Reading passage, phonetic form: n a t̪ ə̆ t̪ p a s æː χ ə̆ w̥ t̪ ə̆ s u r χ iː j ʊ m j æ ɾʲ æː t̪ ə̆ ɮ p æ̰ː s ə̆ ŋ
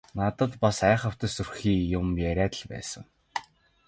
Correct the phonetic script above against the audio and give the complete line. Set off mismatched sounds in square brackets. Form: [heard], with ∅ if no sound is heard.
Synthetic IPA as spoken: n a t̪ ə̆ t̪ p a s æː χ ə̆ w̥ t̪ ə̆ s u r [x] iː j ʊ m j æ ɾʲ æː t̪ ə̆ ɮ p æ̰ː s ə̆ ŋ